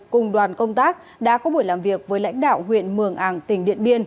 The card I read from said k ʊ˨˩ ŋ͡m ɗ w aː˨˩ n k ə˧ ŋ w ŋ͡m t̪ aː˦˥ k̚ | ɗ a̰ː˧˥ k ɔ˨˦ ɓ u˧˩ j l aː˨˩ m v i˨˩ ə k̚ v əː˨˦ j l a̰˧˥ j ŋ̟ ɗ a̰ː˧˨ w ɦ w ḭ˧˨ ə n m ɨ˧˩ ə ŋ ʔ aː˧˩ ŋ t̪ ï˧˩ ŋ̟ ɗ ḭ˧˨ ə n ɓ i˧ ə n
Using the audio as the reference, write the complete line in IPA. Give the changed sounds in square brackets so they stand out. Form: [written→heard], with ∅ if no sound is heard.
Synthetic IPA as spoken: k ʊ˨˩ ŋ͡m ɗ w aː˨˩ n k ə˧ [ŋ→∅] w ŋ͡m t̪ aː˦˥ k̚ | ɗ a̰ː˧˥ k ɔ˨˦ ɓ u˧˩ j l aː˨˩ m v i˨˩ ə k̚ v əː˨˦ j l a̰˧˥ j ŋ̟ ɗ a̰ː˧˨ w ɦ w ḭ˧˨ ə n m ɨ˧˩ ə ŋ ʔ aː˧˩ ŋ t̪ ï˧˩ ŋ̟ ɗ ḭ˧˨ ə n ɓ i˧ ə n